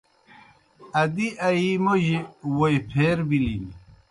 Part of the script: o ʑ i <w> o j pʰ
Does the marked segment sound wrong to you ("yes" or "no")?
no